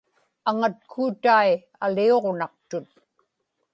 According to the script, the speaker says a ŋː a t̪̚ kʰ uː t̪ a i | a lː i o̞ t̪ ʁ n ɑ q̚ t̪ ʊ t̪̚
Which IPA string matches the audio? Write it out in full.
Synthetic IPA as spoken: a ŋ a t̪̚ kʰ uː t̪ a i | a l i o̞ ʁ n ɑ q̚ t̪ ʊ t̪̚